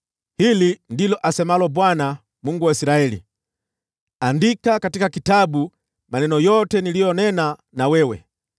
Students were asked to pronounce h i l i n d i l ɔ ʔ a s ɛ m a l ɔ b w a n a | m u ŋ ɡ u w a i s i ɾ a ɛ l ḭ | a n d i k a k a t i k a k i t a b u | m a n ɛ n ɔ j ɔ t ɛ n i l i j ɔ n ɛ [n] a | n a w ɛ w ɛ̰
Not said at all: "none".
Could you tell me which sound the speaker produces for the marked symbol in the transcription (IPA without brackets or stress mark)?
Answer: n